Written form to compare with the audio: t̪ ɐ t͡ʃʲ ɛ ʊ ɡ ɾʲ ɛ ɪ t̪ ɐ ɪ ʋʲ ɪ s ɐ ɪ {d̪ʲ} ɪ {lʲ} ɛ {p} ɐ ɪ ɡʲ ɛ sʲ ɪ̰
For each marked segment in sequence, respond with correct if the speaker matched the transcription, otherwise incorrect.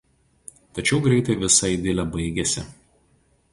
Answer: correct, correct, incorrect

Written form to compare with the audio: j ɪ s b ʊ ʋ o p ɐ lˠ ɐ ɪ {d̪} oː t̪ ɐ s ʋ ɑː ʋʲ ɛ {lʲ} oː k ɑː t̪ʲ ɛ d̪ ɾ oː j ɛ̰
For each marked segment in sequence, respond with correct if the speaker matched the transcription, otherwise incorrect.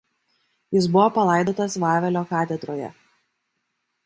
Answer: correct, correct

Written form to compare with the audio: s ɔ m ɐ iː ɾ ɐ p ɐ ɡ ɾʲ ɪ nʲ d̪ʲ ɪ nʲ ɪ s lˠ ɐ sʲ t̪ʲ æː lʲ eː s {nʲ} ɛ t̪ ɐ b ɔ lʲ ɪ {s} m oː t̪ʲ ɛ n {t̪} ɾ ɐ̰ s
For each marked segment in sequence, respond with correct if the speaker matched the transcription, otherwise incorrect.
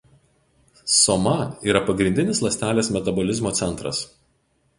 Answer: incorrect, incorrect, correct

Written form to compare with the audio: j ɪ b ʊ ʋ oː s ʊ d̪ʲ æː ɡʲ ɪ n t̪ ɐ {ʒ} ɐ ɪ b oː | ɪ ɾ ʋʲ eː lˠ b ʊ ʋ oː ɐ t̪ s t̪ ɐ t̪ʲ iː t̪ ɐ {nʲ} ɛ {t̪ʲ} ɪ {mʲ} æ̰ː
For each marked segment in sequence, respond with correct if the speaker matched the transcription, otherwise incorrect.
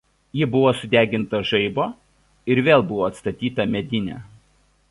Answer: correct, incorrect, incorrect, incorrect

